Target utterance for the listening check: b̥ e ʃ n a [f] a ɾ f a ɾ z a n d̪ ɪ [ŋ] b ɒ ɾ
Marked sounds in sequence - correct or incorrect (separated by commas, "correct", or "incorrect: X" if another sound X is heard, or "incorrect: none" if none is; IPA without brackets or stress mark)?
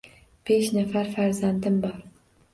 correct, incorrect: m